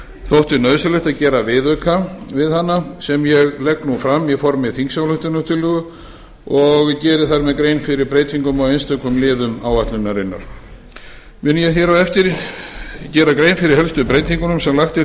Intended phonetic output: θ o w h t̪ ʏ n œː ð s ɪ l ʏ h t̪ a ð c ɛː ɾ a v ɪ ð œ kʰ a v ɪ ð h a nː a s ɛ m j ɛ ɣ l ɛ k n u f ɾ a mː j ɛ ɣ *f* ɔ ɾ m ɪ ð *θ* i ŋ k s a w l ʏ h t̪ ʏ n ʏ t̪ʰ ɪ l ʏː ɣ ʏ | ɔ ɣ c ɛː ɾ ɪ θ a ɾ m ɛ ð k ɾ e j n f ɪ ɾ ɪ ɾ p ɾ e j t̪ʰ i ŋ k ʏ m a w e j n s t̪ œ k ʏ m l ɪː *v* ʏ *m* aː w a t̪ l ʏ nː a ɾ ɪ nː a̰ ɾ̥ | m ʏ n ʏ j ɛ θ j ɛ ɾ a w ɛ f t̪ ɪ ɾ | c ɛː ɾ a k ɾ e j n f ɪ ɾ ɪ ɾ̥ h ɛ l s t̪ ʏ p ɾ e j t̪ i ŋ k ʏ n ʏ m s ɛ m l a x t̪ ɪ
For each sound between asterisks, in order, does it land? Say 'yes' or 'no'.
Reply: yes, yes, no, yes

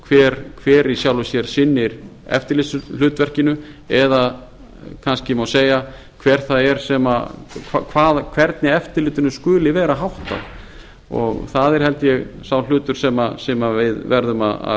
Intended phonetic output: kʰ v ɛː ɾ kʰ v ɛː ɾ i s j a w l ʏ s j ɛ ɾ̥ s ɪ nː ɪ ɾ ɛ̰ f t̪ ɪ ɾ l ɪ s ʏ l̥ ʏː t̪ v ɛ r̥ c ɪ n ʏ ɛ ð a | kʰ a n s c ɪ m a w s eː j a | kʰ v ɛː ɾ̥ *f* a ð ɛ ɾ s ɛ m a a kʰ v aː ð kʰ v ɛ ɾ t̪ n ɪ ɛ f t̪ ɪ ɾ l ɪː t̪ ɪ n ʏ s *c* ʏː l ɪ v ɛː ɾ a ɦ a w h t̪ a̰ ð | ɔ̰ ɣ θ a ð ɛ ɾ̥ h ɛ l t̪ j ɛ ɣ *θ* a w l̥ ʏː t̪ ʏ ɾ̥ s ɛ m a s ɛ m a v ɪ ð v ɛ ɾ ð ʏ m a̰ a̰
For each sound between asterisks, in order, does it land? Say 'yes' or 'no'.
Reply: no, no, no

